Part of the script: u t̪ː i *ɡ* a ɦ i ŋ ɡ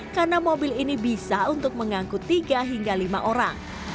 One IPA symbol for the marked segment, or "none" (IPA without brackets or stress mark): ɡ